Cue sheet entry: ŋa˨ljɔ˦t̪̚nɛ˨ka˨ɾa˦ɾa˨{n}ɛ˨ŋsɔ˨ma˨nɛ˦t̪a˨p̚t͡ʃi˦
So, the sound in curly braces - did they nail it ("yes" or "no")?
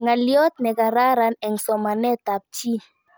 yes